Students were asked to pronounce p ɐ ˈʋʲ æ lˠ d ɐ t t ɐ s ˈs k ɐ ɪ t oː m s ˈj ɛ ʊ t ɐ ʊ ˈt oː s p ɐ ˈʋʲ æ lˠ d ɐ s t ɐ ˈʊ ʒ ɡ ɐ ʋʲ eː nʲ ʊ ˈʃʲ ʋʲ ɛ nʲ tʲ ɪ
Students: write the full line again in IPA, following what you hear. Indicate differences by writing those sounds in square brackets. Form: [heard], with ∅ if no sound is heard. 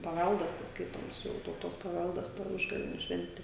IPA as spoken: p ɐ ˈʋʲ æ lˠ d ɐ [s] t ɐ s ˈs k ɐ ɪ t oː m s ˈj ɛ ʊ t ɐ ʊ ˈt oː s p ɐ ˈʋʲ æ lˠ d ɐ s t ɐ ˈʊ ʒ ɡ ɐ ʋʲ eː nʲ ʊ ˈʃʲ ʋʲ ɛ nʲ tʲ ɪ

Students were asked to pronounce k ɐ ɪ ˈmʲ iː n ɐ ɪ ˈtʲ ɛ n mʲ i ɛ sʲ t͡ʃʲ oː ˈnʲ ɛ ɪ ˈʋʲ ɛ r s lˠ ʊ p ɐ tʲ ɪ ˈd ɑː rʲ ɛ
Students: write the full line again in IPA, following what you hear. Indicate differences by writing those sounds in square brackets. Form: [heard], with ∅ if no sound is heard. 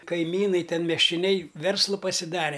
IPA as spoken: k ɐ ɪ ˈmʲ iː n ɐ ɪ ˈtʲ ɛ n mʲ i ɛ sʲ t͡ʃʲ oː ˈnʲ ɛ ɪ ˈʋʲ ɛ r s lˠ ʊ p ɐ [sʲ] ɪ ˈd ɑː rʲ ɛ

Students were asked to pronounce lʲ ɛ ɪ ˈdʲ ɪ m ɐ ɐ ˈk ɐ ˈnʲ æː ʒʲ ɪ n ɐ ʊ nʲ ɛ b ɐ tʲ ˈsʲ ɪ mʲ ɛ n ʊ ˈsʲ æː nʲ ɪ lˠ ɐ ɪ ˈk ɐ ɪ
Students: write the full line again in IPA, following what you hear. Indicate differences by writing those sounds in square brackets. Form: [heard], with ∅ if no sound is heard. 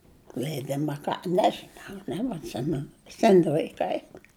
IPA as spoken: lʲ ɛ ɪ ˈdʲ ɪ m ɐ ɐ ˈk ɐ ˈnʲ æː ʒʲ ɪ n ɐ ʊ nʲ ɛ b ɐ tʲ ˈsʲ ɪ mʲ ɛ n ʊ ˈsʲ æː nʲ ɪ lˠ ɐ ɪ ˈk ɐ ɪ

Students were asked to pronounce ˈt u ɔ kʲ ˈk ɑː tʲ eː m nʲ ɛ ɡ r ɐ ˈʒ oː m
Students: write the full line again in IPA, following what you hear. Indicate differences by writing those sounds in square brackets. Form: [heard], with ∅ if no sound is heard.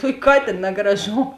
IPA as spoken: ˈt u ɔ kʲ ˈk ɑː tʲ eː [n] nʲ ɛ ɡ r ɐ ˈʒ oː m

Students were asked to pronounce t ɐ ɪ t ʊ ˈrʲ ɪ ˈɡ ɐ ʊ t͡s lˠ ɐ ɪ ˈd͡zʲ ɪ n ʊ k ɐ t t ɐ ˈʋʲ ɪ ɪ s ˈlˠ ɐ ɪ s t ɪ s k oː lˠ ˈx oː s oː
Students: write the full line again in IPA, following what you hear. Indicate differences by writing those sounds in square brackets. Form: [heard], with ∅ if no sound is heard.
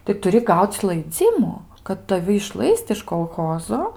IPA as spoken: t ɐ ɪ t ʊ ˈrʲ ɪ ˈɡ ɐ ʊ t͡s lˠ ɐ ɪ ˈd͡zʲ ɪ [m] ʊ k ɐ t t ɐ ˈʋʲ ɪ ɪ [ʃ] ˈlˠ ɐ ɪ s t ɪ [ʃ] k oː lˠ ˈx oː [z] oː

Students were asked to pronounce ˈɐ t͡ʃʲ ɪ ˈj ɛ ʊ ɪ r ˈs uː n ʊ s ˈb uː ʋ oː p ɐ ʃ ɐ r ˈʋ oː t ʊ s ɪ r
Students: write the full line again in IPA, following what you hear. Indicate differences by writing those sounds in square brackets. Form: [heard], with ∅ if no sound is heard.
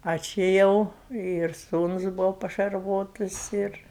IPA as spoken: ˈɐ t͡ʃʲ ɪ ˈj ɛ ʊ ɪ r ˈs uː n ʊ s ˈb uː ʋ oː p ɐ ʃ ɐ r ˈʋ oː t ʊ s ɪ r

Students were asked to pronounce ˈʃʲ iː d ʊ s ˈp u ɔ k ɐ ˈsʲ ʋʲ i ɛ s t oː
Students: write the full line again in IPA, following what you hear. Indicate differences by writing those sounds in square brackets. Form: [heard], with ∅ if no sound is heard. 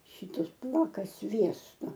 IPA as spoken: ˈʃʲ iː [t] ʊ s ˈp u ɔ k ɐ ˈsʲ ʋʲ i ɛ s t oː

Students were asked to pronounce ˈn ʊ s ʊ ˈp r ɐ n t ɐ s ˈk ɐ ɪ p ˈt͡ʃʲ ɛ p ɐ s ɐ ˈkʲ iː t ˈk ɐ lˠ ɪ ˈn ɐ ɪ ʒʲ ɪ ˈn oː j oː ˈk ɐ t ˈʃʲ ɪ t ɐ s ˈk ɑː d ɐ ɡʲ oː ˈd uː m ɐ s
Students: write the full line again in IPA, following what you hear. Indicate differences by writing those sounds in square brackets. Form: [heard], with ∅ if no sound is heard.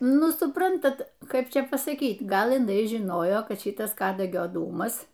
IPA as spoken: ˈn ʊ s ʊ ˈp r ɐ n t ɐ [t] ˈk ɐ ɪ p ˈt͡ʃʲ ɛ p ɐ s ɐ ˈkʲ iː t [ˈɡ] ɐ lˠ ɪ ˈn ɐ ɪ ʒʲ ɪ ˈn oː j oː ˈk ɐ t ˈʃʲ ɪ t ɐ s ˈk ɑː d ɐ ɡʲ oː ˈd uː m ɐ s

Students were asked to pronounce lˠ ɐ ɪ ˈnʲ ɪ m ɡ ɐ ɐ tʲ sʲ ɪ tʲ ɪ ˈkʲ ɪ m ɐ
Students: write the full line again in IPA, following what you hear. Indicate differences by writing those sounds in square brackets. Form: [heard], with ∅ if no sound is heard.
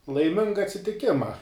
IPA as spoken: lˠ ɐ ɪ [ˈmʲ] ɪ [ŋ] ɡ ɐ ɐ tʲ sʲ ɪ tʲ ɪ ˈkʲ ɪ m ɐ

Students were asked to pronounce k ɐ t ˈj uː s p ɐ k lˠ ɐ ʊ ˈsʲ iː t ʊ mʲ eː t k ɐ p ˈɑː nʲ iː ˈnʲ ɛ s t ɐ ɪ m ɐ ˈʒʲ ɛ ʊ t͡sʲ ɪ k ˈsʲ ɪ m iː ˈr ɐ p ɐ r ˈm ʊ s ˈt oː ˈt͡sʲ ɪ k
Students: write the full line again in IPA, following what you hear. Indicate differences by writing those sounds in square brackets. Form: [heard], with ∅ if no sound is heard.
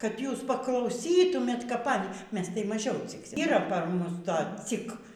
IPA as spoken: k ɐ t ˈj uː s p ɐ k lˠ ɐ ʊ ˈsʲ iː t ʊ mʲ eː t k ɐ p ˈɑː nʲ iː [ˈmʲ] ɛ s t ɐ ɪ m ɐ ˈʒʲ ɛ ʊ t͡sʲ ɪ k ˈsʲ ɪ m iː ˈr ɐ p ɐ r ˈm ʊ s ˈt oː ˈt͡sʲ ɪ k

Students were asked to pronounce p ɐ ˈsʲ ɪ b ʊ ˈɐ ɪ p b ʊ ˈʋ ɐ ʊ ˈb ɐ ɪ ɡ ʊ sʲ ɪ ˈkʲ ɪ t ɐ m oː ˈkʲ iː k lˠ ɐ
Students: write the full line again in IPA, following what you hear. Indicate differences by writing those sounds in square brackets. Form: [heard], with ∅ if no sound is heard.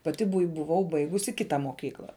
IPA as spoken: p ɐ [ˈtʲ] ɪ b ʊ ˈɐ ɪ [∅] b ʊ ˈʋ ɐ ʊ ˈb ɐ ɪ ɡ ʊ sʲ ɪ ˈkʲ ɪ t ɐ m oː ˈkʲ iː k lˠ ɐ

